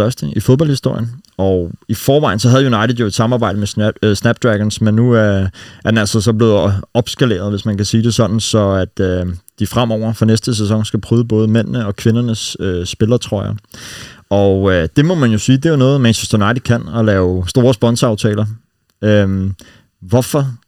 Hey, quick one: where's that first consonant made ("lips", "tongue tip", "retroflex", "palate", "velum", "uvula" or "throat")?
tongue tip